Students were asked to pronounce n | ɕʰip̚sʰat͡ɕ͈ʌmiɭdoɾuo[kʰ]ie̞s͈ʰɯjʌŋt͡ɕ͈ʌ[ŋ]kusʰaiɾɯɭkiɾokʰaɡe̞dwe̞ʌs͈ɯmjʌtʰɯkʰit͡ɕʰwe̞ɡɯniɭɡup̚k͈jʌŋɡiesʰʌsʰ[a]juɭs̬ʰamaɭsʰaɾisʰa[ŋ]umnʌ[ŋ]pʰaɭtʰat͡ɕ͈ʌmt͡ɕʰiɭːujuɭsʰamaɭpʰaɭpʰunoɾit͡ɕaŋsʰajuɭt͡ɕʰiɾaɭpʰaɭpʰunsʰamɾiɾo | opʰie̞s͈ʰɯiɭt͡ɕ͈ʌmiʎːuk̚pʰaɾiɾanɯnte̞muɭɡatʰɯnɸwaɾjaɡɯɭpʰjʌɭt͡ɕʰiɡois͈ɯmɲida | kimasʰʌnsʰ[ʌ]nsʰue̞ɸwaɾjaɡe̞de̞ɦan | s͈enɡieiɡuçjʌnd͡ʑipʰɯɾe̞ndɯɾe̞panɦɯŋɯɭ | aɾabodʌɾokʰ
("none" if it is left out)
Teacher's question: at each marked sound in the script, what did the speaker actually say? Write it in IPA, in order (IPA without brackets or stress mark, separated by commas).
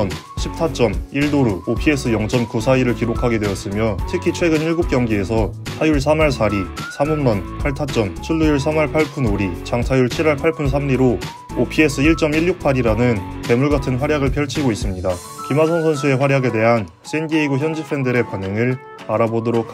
pʰ, m, a, m, n, ʌ